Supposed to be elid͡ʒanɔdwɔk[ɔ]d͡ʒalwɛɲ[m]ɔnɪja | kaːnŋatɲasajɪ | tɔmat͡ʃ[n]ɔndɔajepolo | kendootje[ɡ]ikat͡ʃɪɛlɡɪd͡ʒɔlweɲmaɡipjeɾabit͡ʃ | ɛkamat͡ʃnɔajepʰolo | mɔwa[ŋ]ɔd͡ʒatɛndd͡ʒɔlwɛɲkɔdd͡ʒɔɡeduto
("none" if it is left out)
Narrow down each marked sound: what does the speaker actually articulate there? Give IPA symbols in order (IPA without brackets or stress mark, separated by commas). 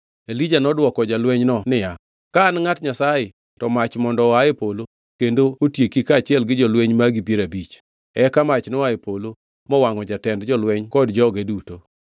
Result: ɔ, n, m, k, ŋ